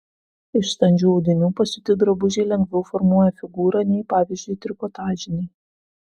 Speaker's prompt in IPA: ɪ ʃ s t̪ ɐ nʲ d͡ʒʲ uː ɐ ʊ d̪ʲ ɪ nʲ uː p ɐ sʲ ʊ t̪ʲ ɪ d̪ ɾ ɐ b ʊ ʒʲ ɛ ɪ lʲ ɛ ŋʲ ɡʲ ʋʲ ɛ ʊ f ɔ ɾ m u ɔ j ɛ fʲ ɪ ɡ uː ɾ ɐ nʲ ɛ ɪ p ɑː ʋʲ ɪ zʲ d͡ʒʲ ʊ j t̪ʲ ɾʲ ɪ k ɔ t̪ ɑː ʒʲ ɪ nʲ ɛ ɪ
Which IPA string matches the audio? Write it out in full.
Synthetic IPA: ɪ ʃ s t̪ ɐ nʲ d͡ʒʲ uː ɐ ʊ d̪ʲ ɪ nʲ uː p ɐ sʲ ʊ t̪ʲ ɪ d̪ ɾ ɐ b ʊ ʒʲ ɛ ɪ lʲ ɛ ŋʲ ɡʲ ʋʲ ɛ ʊ f ɔ ɾ m u ɔ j ɛ fʲ ɪ ɡ uː ɾ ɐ nʲ ɛ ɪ p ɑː ʋʲ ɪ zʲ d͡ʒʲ ʊ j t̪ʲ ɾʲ ɪ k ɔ t̪ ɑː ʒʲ ɪ nʲ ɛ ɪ